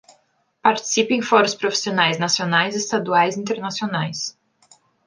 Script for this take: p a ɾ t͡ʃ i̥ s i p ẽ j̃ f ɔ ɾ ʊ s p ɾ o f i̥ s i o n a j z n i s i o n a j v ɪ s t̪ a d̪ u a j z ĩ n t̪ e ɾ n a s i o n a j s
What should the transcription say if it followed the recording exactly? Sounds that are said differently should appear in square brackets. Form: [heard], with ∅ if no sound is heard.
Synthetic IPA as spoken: p a ɾ t͡ʃ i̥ s i p ẽ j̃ f ɔ ɾ ʊ s p ɾ o f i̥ s i o n a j z n [a] s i o n a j [z] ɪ s t̪ a d̪ u a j z ĩ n t̪ e ɾ n a s i o n a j s